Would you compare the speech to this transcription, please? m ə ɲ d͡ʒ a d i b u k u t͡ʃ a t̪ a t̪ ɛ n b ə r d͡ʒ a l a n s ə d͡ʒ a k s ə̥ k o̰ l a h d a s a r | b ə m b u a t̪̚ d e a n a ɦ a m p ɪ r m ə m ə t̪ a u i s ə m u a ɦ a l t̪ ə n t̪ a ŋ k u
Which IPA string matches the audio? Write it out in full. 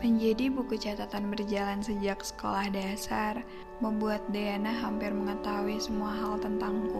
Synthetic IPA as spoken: m ə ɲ d͡ʒ a d i b u k u t͡ʃ a t̪ a t̪ a n b ə r d͡ʒ a l a n s ə d͡ʒ a k s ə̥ k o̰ l a h d a s a r | m ə m b u a t̪̚ d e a n a ɦ a m p ɪ r m ə ŋ ə t̪ a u i s ə m u a ɦ a l t̪ ə n t̪ a ŋ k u